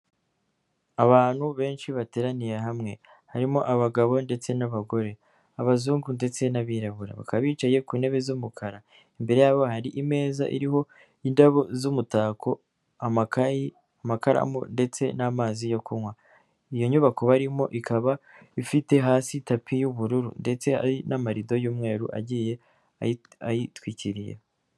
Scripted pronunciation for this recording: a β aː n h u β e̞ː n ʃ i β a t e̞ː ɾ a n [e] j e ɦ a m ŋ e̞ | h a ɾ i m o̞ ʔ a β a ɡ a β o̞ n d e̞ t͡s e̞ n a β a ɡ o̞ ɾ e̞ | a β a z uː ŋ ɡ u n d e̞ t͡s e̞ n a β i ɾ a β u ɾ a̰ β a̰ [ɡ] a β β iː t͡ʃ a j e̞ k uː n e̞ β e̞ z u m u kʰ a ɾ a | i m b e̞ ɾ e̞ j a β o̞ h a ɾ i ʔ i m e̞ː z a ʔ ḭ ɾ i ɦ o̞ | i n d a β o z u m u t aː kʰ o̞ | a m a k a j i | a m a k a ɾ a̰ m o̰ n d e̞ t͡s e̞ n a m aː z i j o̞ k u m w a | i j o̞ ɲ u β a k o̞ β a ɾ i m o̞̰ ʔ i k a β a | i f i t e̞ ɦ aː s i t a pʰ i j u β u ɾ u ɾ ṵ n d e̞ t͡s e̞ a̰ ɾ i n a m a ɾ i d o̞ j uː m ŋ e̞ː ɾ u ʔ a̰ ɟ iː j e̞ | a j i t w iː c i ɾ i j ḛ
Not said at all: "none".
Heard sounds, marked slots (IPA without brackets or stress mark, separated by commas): i, k